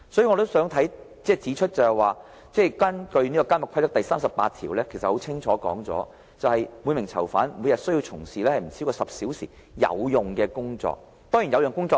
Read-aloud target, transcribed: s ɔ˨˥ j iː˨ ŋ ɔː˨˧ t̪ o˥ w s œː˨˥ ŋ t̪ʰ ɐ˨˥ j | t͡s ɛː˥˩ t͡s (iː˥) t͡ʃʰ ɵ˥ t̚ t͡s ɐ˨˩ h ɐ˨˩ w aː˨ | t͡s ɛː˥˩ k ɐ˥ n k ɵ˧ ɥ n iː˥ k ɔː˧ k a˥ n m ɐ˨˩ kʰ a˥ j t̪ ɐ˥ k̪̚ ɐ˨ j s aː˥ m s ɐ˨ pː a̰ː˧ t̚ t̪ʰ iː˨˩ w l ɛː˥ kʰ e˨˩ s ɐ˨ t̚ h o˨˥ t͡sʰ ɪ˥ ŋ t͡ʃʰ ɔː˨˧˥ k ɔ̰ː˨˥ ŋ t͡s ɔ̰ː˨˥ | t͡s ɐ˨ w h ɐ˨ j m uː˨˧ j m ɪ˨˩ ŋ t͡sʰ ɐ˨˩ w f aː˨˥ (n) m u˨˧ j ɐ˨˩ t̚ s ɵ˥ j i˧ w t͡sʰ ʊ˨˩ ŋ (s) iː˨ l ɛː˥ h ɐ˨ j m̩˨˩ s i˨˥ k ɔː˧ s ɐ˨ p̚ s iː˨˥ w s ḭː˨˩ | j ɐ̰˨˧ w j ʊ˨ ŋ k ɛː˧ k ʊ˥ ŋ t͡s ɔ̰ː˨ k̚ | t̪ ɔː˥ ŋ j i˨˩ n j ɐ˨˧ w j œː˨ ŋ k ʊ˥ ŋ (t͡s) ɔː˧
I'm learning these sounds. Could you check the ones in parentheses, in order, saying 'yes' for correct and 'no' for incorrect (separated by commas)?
no, yes, yes, yes